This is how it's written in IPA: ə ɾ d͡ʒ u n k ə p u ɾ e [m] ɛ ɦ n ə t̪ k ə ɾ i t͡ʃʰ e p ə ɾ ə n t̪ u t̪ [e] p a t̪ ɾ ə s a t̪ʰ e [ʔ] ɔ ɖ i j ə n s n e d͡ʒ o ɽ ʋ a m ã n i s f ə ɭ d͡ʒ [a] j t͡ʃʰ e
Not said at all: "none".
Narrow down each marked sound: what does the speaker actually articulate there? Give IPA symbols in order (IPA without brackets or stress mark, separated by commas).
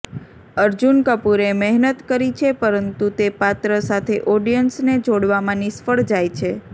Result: m, e, ʔ, a